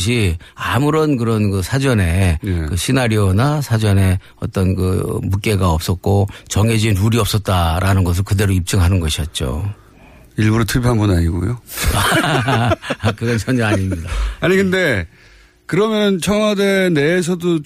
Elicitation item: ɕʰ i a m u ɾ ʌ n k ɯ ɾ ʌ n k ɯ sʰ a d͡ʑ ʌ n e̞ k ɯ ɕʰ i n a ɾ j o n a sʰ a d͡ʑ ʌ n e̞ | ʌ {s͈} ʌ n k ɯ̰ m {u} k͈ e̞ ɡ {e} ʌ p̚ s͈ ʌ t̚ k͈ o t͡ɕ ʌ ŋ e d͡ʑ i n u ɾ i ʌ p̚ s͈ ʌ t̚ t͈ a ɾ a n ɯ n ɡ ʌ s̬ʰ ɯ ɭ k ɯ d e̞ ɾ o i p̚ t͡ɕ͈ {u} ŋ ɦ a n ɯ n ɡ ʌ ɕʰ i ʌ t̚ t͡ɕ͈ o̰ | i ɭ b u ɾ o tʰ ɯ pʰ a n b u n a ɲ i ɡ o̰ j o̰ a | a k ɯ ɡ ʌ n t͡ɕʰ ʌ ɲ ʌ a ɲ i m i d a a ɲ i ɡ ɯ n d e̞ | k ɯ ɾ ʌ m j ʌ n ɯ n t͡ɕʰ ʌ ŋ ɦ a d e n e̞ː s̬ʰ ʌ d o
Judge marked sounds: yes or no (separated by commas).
no, yes, no, no